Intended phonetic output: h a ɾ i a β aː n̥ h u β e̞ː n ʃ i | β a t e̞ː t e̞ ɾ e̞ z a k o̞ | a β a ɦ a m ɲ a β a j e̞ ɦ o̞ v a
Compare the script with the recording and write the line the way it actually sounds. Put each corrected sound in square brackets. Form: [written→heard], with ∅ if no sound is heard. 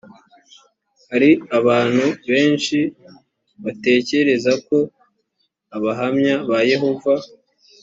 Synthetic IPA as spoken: h a ɾ i a β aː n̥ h u β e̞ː n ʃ i | β a t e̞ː [t→c] e̞ ɾ e̞ z a k o̞ | a β a ɦ a m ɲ a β a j e̞ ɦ o̞ v a